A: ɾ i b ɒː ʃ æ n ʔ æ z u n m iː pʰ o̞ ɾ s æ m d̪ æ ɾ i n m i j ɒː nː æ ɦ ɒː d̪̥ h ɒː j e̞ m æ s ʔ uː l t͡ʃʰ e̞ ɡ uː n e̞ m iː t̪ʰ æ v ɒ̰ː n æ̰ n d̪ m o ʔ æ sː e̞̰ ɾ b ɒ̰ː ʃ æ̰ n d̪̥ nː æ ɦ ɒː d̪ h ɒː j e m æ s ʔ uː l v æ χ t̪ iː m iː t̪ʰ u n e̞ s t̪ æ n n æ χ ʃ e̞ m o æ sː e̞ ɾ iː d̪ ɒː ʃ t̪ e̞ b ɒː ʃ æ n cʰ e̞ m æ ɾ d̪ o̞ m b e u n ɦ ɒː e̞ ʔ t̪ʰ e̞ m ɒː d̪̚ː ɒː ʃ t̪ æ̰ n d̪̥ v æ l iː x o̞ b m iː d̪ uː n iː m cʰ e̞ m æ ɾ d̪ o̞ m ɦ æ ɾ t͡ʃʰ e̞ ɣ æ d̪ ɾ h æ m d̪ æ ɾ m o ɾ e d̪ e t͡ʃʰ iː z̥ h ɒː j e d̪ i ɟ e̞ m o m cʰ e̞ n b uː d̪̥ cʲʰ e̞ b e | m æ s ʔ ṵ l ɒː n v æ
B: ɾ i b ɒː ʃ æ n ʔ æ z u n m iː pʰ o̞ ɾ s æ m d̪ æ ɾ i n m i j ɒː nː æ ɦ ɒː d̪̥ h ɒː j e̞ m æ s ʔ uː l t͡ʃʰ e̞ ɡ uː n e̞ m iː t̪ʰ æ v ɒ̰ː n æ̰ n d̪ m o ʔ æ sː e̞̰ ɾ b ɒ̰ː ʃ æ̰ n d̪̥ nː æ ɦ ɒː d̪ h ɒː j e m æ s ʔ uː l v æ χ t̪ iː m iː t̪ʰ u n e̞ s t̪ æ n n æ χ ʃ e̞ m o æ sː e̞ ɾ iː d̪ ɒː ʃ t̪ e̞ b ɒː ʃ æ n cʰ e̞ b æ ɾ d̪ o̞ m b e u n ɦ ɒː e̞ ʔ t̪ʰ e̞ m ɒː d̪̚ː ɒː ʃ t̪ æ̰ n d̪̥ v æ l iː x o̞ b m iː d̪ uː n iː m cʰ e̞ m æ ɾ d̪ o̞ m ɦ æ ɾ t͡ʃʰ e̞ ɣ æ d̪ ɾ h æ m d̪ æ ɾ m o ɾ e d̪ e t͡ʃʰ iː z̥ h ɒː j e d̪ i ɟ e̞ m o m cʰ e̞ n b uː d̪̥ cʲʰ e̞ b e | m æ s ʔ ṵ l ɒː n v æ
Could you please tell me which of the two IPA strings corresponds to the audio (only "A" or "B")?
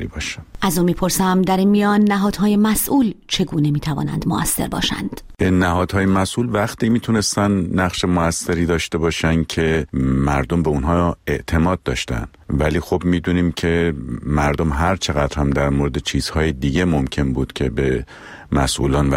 A